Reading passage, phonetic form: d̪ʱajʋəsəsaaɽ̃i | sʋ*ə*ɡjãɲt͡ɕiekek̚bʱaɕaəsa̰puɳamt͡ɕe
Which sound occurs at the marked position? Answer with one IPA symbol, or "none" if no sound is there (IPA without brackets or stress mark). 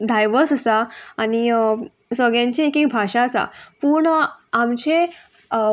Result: ə